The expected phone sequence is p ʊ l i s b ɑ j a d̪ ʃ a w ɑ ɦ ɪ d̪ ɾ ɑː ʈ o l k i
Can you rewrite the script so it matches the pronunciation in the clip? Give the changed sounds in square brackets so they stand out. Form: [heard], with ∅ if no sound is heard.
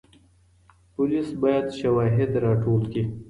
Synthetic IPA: p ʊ l i s b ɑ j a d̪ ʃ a w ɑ ɦ ɪ d̪ ɾ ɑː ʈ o l k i

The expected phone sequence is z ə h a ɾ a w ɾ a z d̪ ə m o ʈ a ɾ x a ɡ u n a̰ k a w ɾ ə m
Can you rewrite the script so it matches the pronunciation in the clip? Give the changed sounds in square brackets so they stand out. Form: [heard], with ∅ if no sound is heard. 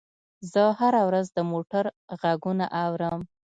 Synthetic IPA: z ə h a ɾ a w ɾ a z d̪ ə m o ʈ a ɾ [ɣ] a ɡ u n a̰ [ʔ] a w ɾ ə m

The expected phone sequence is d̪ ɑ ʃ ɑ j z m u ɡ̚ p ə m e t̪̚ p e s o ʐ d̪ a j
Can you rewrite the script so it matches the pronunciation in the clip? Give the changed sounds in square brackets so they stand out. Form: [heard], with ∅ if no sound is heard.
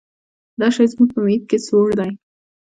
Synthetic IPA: d̪ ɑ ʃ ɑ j z m u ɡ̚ p ə m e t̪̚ [k] e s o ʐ d̪ a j

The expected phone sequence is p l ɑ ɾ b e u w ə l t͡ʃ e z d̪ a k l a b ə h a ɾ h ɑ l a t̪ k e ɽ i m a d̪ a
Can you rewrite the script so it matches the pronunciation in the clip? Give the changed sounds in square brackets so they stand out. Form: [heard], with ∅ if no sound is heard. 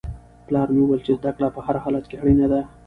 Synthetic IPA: p l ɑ ɾ [m] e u w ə l t͡ʃ e z d̪ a k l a [p] ə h a ɾ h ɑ l a t̪ k e ɽ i [n] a d̪ a

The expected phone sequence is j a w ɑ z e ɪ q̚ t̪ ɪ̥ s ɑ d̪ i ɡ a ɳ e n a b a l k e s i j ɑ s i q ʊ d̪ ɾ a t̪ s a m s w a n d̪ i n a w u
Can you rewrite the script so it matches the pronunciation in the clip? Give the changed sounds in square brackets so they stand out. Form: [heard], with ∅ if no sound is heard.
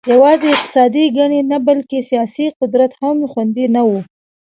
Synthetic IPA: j a w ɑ z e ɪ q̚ t̪ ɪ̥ s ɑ d̪ i ɡ a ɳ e n a b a l k e s i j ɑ s i q ʊ d̪ ɾ a t̪ [h] a m [x] w a n d̪ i n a w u

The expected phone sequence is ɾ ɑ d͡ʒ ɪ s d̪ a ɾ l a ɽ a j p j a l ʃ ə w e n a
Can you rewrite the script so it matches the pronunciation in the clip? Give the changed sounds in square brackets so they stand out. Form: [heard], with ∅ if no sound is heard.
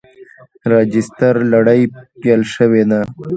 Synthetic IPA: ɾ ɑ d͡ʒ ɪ s [t̪] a ɾ l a ɽ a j p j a l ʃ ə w e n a

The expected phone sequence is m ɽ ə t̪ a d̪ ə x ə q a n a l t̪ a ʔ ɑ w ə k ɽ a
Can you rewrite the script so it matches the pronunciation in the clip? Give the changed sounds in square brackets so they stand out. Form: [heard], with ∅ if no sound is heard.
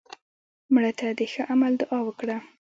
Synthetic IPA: m ɽ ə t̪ a d̪ ə x ə [ʔ] a [m] a l [d̪] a ʔ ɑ w ə k ɽ a

